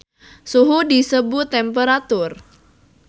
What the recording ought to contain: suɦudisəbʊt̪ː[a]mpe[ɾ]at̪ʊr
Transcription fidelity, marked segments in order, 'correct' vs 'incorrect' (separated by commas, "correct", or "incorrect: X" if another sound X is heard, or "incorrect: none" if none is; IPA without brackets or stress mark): incorrect: ɛ, correct